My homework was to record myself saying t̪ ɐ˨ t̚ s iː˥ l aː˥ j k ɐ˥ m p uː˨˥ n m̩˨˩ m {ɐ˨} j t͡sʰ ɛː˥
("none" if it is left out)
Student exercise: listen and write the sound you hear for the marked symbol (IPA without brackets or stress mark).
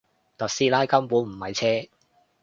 ɐ˨